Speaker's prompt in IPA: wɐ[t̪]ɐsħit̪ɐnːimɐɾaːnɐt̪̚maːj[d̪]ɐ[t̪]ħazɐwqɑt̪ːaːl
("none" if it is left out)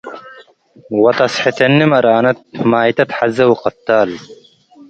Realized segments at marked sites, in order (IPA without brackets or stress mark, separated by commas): t̪, t̪, t̪